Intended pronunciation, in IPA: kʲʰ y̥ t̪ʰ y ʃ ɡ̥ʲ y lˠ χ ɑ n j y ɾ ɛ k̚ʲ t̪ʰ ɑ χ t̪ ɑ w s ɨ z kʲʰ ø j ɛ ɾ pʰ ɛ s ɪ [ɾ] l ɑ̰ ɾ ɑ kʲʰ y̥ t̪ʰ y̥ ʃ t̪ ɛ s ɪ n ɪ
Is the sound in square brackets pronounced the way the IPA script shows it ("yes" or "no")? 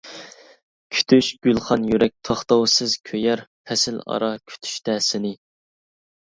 no